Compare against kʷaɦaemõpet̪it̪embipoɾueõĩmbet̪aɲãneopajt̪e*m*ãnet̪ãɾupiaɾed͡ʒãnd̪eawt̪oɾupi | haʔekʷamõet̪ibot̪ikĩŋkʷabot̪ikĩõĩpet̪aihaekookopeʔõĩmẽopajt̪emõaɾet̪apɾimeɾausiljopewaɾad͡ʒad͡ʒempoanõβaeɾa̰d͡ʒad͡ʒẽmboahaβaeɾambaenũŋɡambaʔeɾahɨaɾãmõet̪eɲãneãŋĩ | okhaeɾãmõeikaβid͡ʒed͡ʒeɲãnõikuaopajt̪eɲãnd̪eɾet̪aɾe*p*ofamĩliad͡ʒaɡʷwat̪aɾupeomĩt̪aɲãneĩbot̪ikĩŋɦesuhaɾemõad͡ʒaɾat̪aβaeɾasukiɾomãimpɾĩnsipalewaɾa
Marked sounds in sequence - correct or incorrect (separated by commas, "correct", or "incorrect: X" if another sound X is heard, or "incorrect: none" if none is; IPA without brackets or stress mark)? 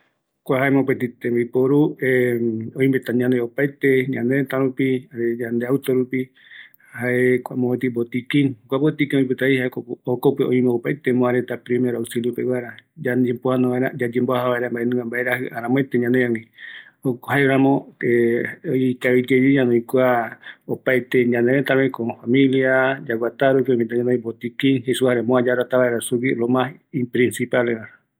incorrect: ɲ, incorrect: k